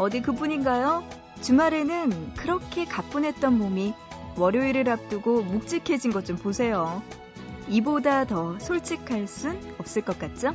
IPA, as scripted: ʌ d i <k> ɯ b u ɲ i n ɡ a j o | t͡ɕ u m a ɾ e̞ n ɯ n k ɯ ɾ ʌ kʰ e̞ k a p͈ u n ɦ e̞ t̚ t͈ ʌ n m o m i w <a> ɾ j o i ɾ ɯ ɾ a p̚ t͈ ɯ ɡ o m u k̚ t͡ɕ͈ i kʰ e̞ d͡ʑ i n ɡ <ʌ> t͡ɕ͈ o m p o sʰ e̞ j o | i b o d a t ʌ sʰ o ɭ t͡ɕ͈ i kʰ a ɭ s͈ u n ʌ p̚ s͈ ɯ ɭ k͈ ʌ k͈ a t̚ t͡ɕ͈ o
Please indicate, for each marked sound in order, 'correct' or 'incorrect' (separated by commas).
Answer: correct, incorrect, correct